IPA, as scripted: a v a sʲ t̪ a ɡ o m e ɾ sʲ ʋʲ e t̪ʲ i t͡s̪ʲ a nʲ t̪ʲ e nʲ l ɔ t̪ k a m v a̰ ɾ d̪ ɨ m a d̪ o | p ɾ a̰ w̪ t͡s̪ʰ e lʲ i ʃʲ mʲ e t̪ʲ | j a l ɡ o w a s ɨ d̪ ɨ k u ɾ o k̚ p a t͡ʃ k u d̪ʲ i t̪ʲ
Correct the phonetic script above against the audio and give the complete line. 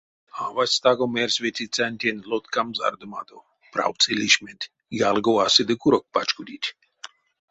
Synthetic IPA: a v a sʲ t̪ a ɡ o m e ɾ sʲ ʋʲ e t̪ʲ i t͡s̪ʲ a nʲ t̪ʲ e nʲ l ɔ t̪ k a m z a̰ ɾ d̪ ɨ m a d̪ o | p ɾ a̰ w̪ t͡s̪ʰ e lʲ i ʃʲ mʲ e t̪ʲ | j a l ɡ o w a s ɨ d̪ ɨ k u ɾ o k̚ p a t͡ʃ k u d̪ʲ i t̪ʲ